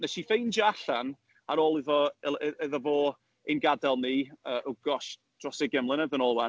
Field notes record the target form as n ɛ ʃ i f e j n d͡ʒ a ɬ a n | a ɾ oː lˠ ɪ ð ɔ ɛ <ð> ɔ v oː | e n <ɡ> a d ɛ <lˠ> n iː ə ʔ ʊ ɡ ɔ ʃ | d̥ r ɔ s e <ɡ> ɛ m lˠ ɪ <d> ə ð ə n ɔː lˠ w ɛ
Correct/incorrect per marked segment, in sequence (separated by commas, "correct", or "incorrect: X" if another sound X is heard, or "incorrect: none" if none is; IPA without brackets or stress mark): correct, correct, correct, correct, incorrect: n